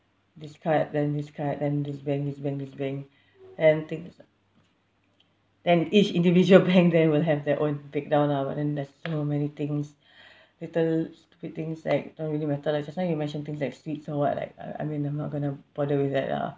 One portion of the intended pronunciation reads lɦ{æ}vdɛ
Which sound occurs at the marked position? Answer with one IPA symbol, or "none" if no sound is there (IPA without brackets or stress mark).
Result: ɛ